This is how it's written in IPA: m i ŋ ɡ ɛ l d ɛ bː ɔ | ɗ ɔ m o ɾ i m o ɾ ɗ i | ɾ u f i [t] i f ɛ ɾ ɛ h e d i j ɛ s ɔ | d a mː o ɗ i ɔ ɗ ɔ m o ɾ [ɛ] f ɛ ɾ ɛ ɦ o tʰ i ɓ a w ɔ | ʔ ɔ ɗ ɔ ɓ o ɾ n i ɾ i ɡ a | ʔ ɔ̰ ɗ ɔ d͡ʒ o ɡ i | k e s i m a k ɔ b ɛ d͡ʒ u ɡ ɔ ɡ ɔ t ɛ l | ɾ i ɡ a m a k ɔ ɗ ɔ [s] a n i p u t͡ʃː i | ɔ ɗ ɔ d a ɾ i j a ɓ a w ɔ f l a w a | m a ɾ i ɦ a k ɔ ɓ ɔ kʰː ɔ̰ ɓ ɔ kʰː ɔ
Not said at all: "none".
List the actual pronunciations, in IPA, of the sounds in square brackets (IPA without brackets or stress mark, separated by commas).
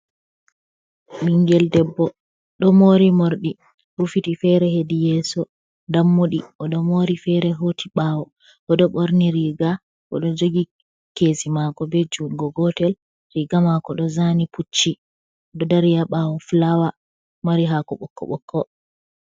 t, i, z